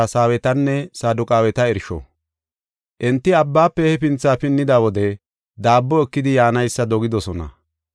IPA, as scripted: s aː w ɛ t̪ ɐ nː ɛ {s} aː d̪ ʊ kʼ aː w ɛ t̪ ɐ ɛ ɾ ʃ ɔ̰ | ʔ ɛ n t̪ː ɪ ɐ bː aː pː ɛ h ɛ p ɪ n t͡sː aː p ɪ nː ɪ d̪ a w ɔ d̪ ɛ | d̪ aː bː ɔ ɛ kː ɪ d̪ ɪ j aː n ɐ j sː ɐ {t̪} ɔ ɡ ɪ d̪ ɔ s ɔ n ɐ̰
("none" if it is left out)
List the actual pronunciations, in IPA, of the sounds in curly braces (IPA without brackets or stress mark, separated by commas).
s, d̪